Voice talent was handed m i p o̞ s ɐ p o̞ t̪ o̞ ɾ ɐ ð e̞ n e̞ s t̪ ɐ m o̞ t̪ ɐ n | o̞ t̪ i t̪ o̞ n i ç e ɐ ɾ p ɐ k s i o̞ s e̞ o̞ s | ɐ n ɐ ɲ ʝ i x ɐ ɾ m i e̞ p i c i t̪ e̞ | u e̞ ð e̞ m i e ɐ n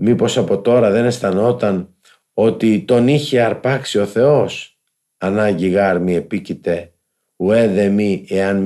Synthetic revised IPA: m i p o̞ s ɐ p o̞ t̪ o̞ ɾ ɐ ð e̞ n e̞ s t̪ ɐ n o̞ t̪ ɐ n | o̞ t̪ i t̪ o̞ n i ç e ɐ ɾ p ɐ k s i o̞ θ e̞ o̞ s | ɐ n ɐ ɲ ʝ i ɣ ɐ ɾ m i e̞ p i c i t̪ e̞ | u e̞ ð e̞ m i e ɐ n